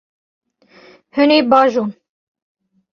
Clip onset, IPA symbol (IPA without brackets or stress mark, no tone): h